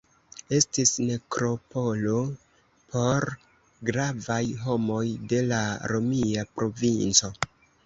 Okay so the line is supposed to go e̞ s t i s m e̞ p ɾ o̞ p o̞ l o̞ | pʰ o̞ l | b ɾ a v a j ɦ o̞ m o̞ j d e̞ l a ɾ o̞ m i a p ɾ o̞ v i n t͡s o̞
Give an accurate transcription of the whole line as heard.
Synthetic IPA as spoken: e̞ s t i s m e̞ k ɾ o̞ p o̞ l o̞ | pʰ o̞ ɾ | ɡ ɾ a v a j ɦ o̞ m o̞ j d e̞ l a ɾ o̞ m i a p ɾ o̞ v i n t͡s o̞